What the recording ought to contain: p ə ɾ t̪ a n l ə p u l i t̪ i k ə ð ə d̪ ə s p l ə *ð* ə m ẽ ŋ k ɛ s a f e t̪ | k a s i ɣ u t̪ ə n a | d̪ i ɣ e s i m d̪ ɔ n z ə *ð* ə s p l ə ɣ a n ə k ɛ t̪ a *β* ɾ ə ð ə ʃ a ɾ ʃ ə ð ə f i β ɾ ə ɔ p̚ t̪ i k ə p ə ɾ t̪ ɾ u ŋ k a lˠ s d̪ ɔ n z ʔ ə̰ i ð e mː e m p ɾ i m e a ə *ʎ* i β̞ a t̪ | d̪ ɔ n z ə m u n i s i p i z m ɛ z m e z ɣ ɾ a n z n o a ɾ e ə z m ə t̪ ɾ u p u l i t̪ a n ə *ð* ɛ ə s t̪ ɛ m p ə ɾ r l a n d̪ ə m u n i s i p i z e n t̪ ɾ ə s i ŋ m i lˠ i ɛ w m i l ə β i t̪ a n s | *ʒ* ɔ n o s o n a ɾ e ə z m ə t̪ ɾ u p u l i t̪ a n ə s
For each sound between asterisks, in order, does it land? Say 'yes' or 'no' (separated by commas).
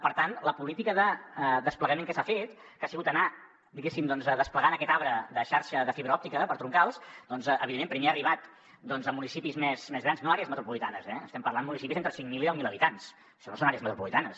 no, yes, yes, no, no, no